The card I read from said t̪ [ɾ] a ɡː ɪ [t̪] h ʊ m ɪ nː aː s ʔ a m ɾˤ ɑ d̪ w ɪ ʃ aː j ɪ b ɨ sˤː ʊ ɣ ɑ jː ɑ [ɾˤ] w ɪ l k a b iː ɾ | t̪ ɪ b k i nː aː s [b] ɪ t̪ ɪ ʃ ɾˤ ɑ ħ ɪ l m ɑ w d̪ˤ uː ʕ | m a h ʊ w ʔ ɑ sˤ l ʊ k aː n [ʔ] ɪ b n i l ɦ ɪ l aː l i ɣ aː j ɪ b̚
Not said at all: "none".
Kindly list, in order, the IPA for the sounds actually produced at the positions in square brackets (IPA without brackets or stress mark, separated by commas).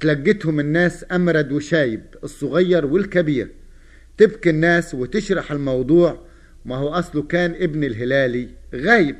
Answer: l, t̪, ɾˤ, w, ʔ